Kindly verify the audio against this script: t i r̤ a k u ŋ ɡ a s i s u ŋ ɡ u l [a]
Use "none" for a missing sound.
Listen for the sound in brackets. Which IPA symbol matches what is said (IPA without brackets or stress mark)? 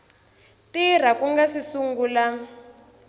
a